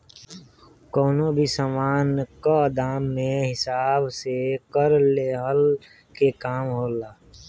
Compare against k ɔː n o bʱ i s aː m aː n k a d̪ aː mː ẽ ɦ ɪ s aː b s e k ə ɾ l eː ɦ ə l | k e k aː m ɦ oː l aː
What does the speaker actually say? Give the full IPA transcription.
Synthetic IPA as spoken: k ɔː n o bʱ i s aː m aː n k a d̪ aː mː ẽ ɦ ɪ s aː b s e k ə ɾ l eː ɦ ə l | k e k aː m ɦ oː l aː